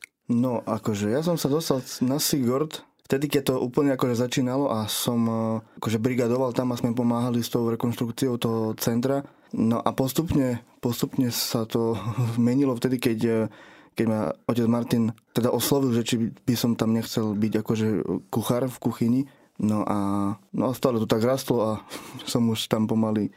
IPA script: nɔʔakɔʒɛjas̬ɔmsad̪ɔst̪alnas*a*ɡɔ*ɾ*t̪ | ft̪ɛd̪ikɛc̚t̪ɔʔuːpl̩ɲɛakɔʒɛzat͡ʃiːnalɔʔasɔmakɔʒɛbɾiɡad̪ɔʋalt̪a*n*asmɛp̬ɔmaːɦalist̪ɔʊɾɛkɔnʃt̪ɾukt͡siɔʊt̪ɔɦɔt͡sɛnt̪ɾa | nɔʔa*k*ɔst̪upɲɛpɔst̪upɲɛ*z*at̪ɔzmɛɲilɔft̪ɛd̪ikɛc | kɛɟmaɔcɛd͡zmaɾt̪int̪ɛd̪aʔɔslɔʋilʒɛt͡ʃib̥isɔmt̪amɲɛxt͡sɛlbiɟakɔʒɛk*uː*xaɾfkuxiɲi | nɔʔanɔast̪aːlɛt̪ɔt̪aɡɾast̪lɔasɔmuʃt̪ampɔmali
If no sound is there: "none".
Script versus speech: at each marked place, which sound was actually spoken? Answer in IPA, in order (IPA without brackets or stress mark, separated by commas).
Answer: i, ɾ, m, p, s, u